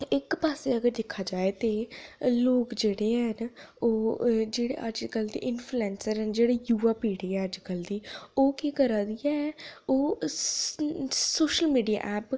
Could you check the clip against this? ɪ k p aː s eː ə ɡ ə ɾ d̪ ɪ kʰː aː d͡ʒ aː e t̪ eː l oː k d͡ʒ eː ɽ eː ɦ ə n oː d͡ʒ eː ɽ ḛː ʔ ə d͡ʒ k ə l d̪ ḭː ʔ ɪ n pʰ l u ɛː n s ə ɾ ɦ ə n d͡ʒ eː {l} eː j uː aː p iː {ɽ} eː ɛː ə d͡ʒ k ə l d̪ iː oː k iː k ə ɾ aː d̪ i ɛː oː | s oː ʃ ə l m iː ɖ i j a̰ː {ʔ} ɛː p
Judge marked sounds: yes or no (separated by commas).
no, yes, yes